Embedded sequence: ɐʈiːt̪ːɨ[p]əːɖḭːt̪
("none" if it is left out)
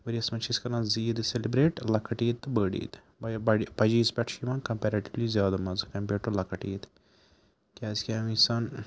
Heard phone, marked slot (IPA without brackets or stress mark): b